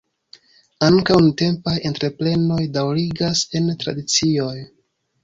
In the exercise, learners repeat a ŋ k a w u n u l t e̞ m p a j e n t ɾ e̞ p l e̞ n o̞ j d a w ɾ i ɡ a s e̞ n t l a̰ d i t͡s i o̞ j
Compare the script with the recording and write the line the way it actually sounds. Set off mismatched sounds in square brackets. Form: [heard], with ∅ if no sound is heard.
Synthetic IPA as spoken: a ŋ k a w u n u [∅] t e̞ m p a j e n t ɾ e̞ p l e̞ n o̞ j d a w ɾ i ɡ a s e̞ n t [ɾ] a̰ d i t͡s i o̞ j